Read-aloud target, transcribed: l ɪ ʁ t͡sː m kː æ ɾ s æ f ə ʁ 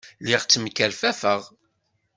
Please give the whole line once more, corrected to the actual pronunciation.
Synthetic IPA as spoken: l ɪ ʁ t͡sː m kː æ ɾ f æ f ə ʁ